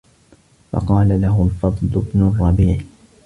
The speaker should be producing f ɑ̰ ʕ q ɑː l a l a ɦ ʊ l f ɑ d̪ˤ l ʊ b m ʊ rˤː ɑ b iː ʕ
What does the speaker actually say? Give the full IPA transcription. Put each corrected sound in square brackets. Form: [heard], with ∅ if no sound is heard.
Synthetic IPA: f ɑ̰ [∅] q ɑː l a l a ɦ ʊ l f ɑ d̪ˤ l ʊ b [n] ʊ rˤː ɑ b iː ʕ

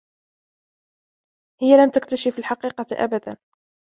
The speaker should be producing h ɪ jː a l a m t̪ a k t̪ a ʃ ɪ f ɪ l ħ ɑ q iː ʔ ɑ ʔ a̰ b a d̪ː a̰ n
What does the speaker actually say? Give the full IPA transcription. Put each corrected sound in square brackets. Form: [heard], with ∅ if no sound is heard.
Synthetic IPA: h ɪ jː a l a m t̪ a k t̪ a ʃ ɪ f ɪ l ħ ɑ q iː [q] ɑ ʔ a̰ b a [d̪] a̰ n

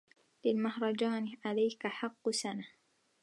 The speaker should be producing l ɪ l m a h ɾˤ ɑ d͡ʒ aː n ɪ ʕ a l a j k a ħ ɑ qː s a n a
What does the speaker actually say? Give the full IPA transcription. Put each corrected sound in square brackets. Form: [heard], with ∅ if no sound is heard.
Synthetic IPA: l ɪ l m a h ɾˤ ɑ d͡ʒ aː n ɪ ʕ a l a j k a ħ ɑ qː s a n a

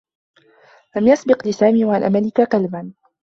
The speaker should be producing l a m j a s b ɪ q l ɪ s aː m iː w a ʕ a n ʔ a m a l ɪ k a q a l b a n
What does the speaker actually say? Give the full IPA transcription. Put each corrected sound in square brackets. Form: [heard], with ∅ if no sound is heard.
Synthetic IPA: l a m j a s b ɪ q l ɪ s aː m iː w a ʕ a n ʔ a m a l ɪ k a q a l b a n

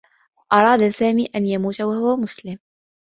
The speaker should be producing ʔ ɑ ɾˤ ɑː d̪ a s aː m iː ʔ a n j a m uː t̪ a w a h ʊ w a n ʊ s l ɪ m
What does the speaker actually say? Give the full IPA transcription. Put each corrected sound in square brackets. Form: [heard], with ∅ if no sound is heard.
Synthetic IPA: ʔ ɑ ɾˤ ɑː d̪ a s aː m iː ʔ a n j a m uː t̪ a w a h ʊ w a [m] ʊ s l ɪ m

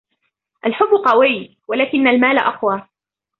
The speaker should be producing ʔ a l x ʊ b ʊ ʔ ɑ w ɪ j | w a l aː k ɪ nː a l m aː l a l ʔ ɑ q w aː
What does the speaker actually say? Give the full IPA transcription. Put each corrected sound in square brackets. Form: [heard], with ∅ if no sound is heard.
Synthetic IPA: ʔ a l [ħ] ʊ [bː] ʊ [q] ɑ w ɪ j | w a l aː k ɪ nː a l m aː l a [∅] ʔ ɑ q w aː

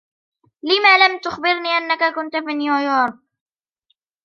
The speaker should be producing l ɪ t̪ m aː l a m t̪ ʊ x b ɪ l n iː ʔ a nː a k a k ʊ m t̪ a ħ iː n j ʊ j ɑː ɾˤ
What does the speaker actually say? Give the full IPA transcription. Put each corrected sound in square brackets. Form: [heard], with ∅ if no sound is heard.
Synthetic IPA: l ɪ [∅] m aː l a m t̪ ʊ x b ɪ [ɾ] n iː ʔ a nː a k a k ʊ [n] t̪ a [f] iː n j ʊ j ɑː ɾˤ

